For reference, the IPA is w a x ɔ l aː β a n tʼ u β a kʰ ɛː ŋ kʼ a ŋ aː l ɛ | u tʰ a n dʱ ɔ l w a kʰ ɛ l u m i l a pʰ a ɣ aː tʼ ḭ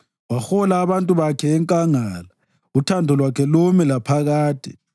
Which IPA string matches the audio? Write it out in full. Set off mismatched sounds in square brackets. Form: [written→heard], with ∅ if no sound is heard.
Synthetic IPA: w a x ɔ l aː β a n tʼ u β a kʰ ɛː ŋ kʼ a ŋ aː l [ɛ→a] | u tʰ a n dʱ ɔ l w a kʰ ɛ l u m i l a pʰ a ɣ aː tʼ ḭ